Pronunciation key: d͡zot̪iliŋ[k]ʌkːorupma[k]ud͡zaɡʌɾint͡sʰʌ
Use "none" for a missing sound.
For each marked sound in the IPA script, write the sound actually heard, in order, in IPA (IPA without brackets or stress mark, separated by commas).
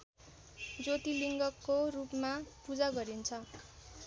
ɡ, p